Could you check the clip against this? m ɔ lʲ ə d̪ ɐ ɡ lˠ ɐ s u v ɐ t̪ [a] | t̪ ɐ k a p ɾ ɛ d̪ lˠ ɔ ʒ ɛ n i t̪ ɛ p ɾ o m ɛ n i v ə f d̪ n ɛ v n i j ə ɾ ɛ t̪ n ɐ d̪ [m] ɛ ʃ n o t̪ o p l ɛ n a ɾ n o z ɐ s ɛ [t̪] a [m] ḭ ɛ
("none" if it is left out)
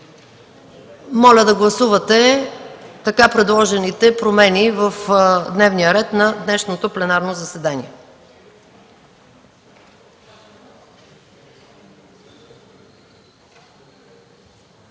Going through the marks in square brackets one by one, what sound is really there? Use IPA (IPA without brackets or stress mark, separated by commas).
ɛ, n, d̪, n